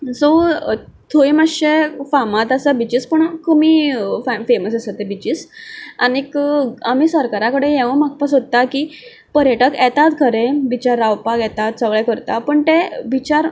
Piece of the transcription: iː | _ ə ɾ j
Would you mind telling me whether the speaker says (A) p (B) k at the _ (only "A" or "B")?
A